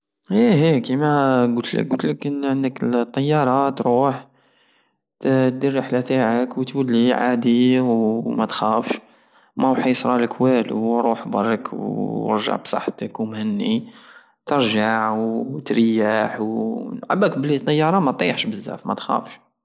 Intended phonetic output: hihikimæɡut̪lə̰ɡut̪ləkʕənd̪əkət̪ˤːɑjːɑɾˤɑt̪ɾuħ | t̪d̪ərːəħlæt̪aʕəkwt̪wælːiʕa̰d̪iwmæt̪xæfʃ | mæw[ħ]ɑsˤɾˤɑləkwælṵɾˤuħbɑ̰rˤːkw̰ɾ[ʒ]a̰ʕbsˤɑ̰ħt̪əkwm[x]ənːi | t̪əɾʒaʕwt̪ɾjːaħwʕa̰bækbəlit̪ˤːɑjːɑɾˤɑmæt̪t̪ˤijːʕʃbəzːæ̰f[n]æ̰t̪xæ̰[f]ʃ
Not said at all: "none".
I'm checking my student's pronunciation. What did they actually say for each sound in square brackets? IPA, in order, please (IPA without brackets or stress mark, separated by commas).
ħ, ʒ, h, m, f